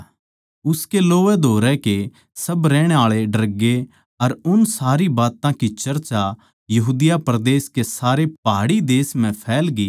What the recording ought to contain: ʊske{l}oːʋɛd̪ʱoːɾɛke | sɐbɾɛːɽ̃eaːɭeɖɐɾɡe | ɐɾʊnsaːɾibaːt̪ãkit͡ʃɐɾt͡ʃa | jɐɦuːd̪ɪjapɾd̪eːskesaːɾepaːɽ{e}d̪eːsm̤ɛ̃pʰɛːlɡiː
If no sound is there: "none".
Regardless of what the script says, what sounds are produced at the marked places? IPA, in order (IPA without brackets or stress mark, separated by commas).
l, i